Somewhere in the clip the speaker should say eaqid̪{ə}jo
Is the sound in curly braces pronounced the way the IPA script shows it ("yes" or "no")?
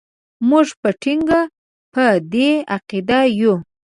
no